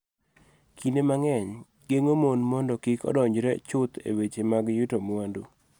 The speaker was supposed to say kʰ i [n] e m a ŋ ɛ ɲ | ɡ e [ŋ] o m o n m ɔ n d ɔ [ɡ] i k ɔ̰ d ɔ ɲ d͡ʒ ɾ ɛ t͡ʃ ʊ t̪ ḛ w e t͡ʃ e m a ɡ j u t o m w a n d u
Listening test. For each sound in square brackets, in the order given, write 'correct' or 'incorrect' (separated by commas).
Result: correct, correct, incorrect